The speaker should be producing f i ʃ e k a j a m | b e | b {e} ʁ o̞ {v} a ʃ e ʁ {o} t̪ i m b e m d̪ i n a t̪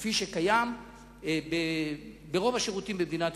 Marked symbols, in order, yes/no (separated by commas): yes, yes, no